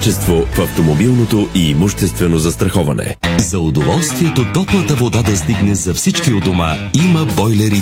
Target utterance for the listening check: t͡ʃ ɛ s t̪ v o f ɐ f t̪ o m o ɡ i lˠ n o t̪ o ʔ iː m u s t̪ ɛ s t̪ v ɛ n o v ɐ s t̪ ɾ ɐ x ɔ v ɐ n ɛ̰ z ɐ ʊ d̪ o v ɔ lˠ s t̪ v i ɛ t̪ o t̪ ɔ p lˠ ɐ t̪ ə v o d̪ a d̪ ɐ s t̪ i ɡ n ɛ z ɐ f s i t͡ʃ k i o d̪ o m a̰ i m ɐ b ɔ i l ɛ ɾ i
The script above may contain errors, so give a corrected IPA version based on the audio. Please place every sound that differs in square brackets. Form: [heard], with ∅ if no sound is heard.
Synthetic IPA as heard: t͡ʃ ɛ s t̪ v o f ɐ f t̪ o m o [b] i lˠ n o t̪ o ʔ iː m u [ʃ] t̪ ɛ s t̪ v ɛ n o [z] ɐ s t̪ ɾ ɐ x ɔ v ɐ n ɛ̰ z ɐ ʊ d̪ o v ɔ lˠ s t̪ v i ɛ t̪ o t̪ ɔ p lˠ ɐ t̪ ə v o d̪ a d̪ ɐ s t̪ i ɡ n ɛ z ɐ f s i t͡ʃ k i o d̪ o m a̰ i m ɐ b ɔ [j] l ɛ ɾ i